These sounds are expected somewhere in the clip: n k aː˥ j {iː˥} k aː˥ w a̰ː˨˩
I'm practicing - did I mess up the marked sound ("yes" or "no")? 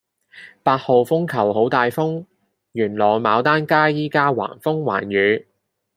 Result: no